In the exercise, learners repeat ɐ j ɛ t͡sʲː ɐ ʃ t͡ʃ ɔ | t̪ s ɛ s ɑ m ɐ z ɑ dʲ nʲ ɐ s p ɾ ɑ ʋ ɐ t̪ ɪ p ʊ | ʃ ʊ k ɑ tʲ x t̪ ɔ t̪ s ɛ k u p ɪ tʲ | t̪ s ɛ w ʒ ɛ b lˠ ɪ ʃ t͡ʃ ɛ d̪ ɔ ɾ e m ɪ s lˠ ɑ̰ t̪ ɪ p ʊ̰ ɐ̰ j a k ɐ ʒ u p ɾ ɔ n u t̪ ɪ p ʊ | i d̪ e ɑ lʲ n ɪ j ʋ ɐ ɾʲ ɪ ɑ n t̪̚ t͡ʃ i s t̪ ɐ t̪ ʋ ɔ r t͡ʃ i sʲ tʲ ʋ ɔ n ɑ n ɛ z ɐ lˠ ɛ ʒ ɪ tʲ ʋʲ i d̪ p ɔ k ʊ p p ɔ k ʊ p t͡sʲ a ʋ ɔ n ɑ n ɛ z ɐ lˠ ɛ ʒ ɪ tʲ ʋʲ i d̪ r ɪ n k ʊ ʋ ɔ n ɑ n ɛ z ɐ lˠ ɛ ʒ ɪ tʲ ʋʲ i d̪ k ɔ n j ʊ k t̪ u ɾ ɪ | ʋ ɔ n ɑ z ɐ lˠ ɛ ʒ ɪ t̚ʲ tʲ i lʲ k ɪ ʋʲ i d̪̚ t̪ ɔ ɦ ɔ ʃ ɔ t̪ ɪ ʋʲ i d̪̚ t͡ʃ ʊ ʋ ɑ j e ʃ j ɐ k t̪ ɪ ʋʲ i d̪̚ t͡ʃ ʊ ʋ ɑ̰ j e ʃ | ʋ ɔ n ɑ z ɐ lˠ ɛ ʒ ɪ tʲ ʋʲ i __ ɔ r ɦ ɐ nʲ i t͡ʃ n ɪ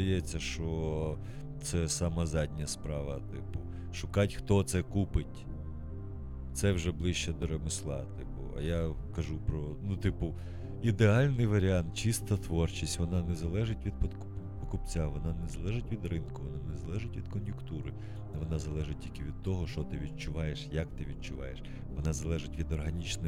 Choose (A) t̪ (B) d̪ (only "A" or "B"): B